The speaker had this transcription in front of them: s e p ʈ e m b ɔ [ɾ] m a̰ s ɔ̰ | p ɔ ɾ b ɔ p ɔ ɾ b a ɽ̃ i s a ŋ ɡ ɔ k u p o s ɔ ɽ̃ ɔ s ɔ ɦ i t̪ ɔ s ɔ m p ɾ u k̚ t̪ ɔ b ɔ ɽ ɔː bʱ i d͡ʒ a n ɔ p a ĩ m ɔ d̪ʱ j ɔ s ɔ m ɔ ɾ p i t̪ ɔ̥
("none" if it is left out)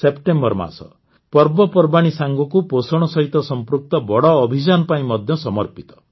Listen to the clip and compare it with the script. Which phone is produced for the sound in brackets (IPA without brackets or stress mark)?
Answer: ɾ